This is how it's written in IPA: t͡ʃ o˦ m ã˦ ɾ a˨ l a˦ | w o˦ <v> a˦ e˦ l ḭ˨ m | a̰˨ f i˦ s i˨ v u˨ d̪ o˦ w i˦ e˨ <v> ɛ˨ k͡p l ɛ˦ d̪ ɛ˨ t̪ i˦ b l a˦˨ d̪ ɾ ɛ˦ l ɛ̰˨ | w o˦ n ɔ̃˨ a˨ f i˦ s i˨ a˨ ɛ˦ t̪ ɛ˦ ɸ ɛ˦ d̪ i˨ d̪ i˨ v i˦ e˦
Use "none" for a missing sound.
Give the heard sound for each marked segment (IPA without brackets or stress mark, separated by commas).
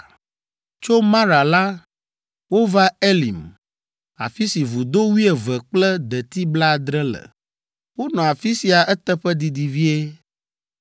v, v